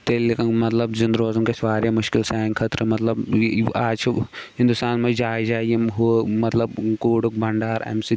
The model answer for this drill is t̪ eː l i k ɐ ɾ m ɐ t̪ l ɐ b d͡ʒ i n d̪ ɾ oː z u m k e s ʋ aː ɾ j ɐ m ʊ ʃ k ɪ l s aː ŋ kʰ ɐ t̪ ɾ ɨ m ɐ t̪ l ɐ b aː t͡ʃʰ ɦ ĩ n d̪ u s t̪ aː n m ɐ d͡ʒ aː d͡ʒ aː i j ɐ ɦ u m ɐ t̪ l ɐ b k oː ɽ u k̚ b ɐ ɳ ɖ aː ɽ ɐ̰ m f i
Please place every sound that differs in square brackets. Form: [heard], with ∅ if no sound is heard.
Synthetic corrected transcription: t̪ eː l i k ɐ [∅] m ɐ t̪ l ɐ b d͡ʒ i n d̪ ɾ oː z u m k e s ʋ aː ɾ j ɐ m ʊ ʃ k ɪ l s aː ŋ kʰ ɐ t̪ ɾ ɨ m ɐ t̪ l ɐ b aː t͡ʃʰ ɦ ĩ n d̪ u s t̪ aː n m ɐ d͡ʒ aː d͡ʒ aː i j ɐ ɦ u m ɐ t̪ l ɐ b k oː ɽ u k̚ b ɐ ɳ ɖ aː [ɾ] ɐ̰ m [s] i